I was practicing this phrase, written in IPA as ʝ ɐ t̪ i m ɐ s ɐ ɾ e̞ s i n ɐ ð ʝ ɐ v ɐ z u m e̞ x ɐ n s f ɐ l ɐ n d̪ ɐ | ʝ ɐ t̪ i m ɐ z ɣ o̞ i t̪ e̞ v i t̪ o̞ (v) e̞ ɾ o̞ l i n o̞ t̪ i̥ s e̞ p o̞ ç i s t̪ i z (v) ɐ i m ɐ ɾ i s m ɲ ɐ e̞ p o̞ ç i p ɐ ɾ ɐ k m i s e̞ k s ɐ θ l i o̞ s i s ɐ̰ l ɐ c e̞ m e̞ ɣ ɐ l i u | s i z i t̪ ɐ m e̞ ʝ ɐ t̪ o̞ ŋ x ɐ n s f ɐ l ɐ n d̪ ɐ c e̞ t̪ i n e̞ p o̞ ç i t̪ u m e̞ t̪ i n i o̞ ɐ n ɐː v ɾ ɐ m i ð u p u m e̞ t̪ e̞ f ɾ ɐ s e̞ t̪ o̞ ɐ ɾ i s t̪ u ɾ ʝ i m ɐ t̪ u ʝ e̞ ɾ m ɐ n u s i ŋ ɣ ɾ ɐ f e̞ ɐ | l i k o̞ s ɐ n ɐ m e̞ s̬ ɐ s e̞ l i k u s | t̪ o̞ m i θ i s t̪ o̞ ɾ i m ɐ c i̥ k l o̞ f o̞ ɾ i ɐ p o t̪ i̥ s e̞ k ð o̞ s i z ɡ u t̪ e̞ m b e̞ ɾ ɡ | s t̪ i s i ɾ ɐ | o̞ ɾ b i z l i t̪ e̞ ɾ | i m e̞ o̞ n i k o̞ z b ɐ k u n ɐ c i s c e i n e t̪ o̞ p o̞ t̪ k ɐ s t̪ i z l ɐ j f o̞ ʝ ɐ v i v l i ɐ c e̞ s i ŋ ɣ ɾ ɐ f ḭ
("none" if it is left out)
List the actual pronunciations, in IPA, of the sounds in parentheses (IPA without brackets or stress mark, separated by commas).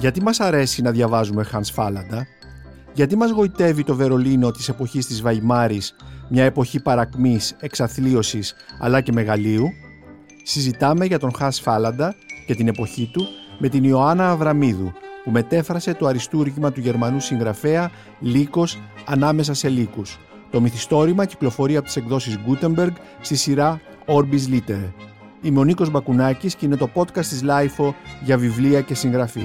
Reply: v, v